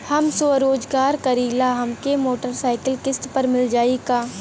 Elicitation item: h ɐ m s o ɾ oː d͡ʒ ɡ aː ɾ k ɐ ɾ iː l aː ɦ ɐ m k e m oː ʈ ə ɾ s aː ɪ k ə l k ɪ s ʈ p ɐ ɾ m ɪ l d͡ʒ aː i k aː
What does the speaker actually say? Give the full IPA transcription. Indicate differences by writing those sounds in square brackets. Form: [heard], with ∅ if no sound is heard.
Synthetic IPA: h ɐ m s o ɾ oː d͡ʒ ɡ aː ɾ k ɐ ɾ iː l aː ɦ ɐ m k e m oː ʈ ə ɾ s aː ɪ k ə l k ɪ s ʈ p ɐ ɾ m ɪ l d͡ʒ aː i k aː

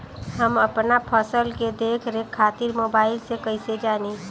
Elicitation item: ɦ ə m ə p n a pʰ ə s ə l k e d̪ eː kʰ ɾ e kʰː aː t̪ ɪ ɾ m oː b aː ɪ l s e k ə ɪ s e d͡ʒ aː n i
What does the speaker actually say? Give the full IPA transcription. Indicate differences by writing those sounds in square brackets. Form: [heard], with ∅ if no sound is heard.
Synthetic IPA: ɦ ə m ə p n a pʰ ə s ə l k e d̪ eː kʰ ɾ e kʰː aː t̪ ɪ ɾ m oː b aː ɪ l s e k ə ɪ s e d͡ʒ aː n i

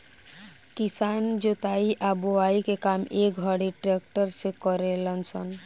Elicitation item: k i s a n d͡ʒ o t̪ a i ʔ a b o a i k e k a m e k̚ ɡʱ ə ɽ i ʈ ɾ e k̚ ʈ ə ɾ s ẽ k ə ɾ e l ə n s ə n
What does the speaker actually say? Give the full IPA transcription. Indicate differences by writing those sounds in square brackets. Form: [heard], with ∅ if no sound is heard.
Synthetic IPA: k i s a n d͡ʒ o t̪ a i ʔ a b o a i k e k a m e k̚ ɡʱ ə ɽ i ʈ ɾ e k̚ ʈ ə ɾ s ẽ k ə ɾ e l ə n s ə n

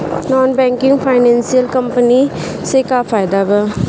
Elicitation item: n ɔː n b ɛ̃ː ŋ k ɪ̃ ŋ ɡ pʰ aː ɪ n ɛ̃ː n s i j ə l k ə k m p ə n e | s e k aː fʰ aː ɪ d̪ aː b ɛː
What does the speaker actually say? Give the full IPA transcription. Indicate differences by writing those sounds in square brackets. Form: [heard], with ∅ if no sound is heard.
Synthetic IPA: n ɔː n b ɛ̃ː ŋ k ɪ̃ ŋ ɡ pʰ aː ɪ n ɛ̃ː n s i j ə l k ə [∅] m p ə n [i] | s e k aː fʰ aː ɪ d̪ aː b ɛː

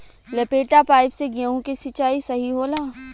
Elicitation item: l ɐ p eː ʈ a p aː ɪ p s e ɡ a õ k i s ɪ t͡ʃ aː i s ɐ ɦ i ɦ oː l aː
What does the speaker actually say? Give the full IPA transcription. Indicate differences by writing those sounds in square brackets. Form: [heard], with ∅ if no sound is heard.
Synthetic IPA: l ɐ p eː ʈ a p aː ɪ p s e ɡ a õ k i s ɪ t͡ʃ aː i s ɐ ɦ i ɦ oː l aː

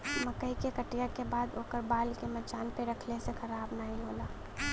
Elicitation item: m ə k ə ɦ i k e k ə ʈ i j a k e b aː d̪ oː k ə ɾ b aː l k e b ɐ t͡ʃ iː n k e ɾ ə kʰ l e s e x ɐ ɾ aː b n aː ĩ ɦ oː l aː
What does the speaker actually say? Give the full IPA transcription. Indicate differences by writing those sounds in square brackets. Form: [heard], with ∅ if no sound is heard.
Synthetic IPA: m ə k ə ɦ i k e k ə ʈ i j a k e b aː d̪ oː k ə ɾ b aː l k e [m] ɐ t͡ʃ [aː] n [p] e ɾ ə kʰ l e s e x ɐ ɾ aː b n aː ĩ ɦ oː l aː

